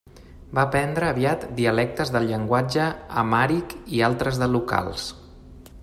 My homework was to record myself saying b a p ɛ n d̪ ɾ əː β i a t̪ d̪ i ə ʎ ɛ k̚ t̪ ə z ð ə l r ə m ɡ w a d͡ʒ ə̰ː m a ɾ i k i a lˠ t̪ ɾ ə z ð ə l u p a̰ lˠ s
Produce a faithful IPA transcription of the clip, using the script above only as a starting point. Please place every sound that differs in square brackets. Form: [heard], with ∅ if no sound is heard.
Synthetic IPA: b a p ɛ n d̪ ɾ əː β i a t̪ d̪ i ə [l] ɛ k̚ t̪ ə z ð ə l [ʎ] ə [ŋ] ɡ w a d͡ʒ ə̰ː m a ɾ i k i a lˠ t̪ ɾ ə z ð ə l u [k] a̰ lˠ s